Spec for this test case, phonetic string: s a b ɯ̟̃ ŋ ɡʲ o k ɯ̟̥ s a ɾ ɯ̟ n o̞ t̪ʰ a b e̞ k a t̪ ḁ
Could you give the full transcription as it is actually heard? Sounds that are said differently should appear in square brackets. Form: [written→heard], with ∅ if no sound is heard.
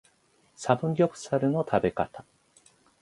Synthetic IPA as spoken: s a b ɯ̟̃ ŋ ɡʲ o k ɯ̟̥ s a ɾ ɯ̟ n o̞ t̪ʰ a b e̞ k a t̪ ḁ